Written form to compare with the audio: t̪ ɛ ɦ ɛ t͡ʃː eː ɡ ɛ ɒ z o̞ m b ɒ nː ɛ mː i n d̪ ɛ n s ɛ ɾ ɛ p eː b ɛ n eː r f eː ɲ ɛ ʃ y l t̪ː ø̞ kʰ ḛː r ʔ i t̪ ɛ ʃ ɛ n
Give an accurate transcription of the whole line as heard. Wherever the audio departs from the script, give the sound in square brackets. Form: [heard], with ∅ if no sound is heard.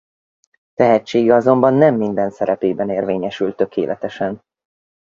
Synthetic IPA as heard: t̪ ɛ ɦ ɛ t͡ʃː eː ɡ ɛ ɒ z o̞ m b ɒ nː ɛ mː i n d̪ ɛ n s ɛ ɾ ɛ p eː b ɛ n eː r [v] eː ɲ ɛ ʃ y l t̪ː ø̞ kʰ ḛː [l] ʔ [ɛ] t̪ ɛ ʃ ɛ n